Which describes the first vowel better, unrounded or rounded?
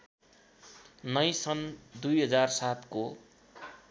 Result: unrounded